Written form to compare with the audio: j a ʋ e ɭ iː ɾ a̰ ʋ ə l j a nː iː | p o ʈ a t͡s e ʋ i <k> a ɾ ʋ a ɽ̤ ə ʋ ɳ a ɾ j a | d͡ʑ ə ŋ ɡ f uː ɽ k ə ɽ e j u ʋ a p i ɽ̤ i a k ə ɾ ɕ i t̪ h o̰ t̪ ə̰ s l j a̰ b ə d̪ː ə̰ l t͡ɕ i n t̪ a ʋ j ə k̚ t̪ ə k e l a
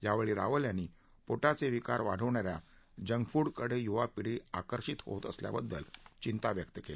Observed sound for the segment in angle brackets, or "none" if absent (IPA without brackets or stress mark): k